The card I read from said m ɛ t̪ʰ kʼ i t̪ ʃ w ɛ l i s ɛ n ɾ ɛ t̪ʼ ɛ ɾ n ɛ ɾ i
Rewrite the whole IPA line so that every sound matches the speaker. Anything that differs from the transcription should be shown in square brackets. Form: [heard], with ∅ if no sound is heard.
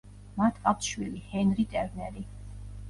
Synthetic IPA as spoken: m [a] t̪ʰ kʼ [a] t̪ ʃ w [i] l i [h] ɛ n ɾ [i] t̪ʼ ɛ ɾ n ɛ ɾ i

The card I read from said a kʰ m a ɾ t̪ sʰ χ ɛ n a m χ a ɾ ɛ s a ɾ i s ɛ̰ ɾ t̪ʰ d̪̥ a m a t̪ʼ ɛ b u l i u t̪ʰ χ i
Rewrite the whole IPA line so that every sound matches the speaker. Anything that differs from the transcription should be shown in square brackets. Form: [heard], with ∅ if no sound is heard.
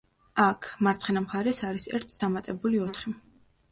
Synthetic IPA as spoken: a kʰ m a ɾ t̪ sʰ χ ɛ n a m χ a ɾ ɛ s a ɾ i s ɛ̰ ɾ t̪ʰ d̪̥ a m a t̪ʼ ɛ b u l i [ɔ] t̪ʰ χ i

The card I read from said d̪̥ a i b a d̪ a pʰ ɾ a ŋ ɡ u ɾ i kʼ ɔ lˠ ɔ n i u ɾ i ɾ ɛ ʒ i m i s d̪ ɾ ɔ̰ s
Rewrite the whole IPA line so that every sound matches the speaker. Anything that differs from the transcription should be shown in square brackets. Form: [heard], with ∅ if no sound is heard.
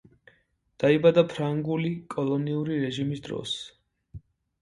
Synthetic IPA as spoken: d̪̥ a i b a d̪ a pʰ ɾ a ŋ ɡ u [l] i kʼ ɔ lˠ ɔ n i u ɾ i ɾ ɛ ʒ i m i s d̪ ɾ ɔ̰ s

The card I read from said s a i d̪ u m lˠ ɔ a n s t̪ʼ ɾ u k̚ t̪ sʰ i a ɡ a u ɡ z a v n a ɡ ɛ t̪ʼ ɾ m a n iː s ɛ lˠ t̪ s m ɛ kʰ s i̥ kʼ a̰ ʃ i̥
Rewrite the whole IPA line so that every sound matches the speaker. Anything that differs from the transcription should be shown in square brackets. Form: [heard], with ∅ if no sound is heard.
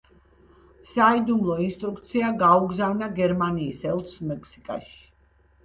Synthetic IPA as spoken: s a i d̪ u m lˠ ɔ [i] n s t̪ʼ ɾ u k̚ t̪ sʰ i a ɡ a u ɡ z a v n a ɡ ɛ [∅] ɾ m a n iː s ɛ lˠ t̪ s m ɛ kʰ s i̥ kʼ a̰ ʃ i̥

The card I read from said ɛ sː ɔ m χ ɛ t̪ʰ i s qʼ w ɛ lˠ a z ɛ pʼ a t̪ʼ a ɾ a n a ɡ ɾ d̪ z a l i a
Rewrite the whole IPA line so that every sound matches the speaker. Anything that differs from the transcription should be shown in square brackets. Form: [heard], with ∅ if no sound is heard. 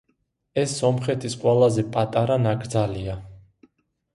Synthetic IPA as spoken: ɛ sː ɔ m χ ɛ t̪ʰ i s qʼ w ɛ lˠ a z ɛ pʼ a t̪ʼ a ɾ a n a ɡ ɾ d̪ z a l i a

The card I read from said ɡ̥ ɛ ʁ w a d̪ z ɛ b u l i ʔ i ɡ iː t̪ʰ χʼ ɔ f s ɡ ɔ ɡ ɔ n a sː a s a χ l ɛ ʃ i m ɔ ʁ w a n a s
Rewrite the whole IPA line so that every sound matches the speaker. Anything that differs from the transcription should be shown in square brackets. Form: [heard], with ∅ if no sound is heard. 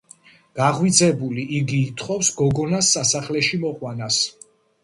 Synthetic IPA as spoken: ɡ̥ [a] ʁ w [i] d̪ z ɛ b u l i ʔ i ɡ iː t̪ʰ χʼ ɔ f s ɡ ɔ ɡ ɔ n a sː a s a χ l ɛ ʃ i m ɔ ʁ w a n a s

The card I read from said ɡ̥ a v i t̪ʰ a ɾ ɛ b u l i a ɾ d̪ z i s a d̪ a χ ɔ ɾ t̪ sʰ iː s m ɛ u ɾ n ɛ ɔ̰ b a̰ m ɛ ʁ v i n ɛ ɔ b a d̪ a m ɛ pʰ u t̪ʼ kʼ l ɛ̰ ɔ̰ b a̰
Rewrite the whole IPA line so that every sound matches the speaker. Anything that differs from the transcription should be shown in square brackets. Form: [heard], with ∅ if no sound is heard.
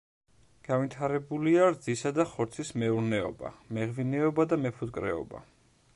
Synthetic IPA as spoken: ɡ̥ a v i t̪ʰ a ɾ ɛ b u l i a ɾ d̪ z i s a d̪ a χ ɔ ɾ t̪ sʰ [i] s m ɛ u ɾ n ɛ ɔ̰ b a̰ m ɛ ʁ v i n ɛ ɔ b a d̪ a m ɛ pʰ u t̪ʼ kʼ [ɾ] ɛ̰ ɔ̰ b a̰

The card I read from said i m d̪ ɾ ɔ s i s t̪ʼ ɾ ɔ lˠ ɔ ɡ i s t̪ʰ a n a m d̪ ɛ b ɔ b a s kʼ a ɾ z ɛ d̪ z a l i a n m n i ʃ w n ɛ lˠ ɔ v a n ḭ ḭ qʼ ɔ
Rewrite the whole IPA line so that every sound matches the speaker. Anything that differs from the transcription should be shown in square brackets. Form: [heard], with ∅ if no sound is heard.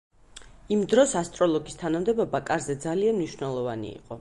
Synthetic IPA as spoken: i m d̪ ɾ ɔ s [a] s t̪ʼ ɾ ɔ lˠ ɔ ɡ i s t̪ʰ a n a m d̪ ɛ b ɔ b a [∅] kʼ a ɾ z ɛ d̪ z a l i a n m n i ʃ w n ɛ lˠ ɔ v a n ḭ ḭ qʼ ɔ

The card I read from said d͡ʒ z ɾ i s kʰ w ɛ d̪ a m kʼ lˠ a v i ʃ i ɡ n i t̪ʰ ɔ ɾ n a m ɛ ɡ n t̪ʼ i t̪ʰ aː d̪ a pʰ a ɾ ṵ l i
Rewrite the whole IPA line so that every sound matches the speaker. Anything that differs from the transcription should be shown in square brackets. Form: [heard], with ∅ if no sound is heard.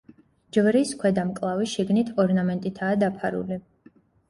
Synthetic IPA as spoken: d͡ʒ [v] ɾ i s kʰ w ɛ d̪ a m kʼ lˠ a v i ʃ i ɡ n i t̪ʰ ɔ ɾ n a m ɛ [∅] n t̪ʼ i t̪ʰ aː d̪ a pʰ a ɾ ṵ l i

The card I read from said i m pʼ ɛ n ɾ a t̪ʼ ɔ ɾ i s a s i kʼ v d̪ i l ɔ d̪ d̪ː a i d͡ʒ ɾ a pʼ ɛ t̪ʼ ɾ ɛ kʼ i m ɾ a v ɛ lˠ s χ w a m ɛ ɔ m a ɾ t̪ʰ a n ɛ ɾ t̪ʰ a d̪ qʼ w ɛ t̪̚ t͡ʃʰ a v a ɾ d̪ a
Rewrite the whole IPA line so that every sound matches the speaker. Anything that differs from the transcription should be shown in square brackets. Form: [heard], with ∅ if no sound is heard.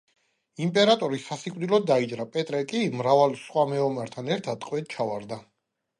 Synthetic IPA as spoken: i m pʼ ɛ [∅] ɾ a t̪ʼ ɔ ɾ i s a s i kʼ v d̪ i l ɔ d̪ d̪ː a i d͡ʒ ɾ a pʼ ɛ t̪ʼ ɾ ɛ kʼ i m ɾ a v [a] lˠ s χ w a m ɛ ɔ m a ɾ t̪ʰ a n ɛ ɾ t̪ʰ a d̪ qʼ w ɛ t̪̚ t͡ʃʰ a v a ɾ d̪ a

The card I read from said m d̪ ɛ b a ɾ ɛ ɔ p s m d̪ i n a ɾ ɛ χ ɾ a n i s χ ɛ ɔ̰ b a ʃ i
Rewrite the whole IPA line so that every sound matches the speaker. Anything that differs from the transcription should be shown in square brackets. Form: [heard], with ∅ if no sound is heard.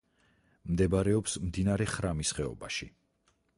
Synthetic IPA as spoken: m d̪ ɛ b a ɾ ɛ ɔ p s m d̪ i n a ɾ ɛ χ ɾ a [m] i s χ ɛ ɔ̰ b a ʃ i

